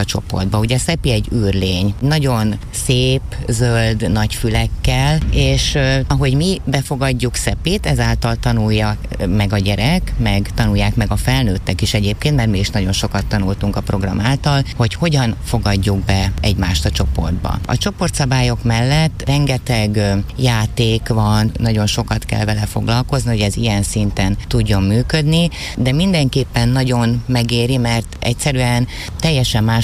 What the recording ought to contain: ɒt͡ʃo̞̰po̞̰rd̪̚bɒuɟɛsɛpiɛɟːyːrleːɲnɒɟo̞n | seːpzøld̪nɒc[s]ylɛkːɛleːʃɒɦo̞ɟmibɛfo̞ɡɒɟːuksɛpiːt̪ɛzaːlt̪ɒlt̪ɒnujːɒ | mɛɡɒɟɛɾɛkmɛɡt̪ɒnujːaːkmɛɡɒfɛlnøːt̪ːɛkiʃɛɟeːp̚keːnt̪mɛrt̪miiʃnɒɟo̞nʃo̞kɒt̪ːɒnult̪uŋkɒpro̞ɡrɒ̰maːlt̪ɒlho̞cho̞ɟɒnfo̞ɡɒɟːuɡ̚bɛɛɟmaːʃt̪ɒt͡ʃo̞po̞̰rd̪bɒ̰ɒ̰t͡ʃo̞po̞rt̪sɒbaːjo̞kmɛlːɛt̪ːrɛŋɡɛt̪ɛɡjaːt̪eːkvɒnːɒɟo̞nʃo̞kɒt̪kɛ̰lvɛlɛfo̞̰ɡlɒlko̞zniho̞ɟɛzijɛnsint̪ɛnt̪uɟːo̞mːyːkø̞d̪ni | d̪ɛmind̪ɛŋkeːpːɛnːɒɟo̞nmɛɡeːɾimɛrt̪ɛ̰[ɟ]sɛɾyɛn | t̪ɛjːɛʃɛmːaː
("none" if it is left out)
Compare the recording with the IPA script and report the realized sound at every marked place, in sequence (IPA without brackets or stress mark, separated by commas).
f, c